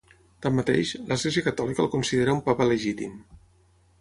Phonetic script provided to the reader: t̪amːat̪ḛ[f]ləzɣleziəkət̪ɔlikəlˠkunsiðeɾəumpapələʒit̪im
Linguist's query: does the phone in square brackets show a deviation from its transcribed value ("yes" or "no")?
yes